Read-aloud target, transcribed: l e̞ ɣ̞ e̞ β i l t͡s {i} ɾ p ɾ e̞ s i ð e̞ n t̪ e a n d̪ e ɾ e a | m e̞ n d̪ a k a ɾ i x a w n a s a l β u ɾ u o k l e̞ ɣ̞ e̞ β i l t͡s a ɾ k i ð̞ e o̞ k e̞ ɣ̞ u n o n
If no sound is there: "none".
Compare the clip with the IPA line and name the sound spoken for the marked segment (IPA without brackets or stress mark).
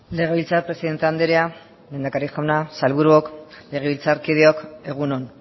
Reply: a